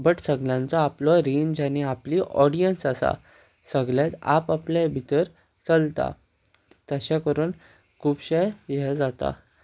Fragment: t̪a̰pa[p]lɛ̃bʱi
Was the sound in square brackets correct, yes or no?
yes